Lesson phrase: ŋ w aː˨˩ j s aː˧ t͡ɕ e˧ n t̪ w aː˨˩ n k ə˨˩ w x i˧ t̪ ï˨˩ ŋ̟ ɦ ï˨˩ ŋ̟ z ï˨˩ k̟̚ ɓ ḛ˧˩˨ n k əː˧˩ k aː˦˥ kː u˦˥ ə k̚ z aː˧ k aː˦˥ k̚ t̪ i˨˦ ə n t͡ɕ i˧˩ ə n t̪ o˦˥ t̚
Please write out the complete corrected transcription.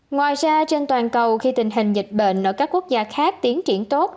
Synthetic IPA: ŋ w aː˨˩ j z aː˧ t͡ɕ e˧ n t̪ w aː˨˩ n k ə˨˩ w x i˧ t̪ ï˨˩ ŋ̟ ɦ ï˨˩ ŋ̟ z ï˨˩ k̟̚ ɓ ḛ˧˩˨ n ʔ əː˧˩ k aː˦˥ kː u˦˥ ə k̚ z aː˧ x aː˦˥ k̚ t̪ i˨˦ ə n t͡ɕ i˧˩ ə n t̪ o˦˥ t̚